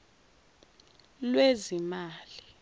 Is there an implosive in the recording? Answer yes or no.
no